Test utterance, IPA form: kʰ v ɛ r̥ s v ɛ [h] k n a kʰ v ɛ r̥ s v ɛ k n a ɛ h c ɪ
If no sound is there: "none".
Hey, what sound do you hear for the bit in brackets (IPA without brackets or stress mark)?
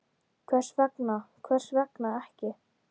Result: none